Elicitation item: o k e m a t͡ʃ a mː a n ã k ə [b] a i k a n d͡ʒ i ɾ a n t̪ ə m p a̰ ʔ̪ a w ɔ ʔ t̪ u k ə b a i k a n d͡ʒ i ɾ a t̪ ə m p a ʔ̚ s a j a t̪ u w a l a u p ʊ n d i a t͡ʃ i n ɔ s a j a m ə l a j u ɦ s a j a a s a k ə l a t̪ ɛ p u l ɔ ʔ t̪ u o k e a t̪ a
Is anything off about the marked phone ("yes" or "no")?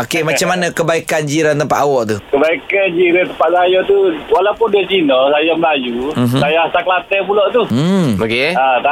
no